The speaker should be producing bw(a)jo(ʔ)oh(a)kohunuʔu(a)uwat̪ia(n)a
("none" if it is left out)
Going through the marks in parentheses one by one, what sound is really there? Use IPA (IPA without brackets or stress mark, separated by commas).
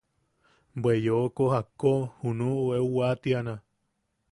e, k, a, e, n